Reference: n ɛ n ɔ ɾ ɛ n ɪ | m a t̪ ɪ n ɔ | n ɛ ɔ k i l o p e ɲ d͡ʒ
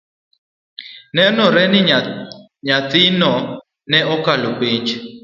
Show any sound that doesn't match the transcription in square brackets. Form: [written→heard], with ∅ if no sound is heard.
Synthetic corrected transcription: n ɛ n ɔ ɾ ɛ n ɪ | [m→ɲ] a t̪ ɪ n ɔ | n ɛ ɔ k [i→a] l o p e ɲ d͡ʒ